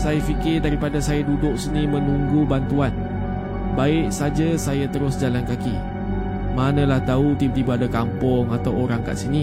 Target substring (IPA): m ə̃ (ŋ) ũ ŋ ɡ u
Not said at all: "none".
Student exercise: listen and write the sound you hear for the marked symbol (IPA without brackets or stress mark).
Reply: n